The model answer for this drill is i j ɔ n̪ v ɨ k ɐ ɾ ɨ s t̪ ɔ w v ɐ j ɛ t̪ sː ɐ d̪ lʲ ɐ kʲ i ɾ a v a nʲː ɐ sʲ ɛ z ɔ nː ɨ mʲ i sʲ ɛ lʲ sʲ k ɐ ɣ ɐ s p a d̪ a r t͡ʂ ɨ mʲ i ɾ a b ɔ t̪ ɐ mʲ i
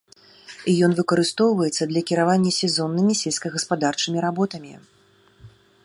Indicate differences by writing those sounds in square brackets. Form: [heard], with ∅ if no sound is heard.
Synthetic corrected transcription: i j ɔ n̪ v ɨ k ɐ ɾ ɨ s t̪ ɔ w v ɐ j ɛ t̪ sː ɐ d̪ lʲ ɐ kʲ i ɾ a v a nʲː ɐ sʲ ɛ z ɔ nː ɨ mʲ i sʲ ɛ lʲ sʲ k ɐ ɣ ɐ s p a d̪ a r t͡ʂ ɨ mʲ i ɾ a b ɔ t̪ ɐ mʲ i